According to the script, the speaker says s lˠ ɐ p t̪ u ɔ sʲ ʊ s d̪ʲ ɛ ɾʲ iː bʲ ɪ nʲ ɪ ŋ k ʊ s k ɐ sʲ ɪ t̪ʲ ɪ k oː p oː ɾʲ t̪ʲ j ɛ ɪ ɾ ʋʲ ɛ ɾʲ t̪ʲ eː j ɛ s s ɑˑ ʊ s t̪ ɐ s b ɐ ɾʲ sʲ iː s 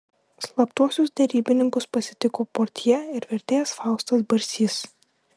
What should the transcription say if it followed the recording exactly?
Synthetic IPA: s lˠ ɐ p t̪ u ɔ sʲ ʊ s d̪ʲ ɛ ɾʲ iː bʲ ɪ nʲ ɪ ŋ k ʊ s p ɐ sʲ ɪ t̪ʲ ɪ k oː p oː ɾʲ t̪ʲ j ɛ ɪ ɾ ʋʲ ɛ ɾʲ t̪ʲ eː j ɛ s f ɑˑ ʊ s t̪ ɐ s b ɐ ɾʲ sʲ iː s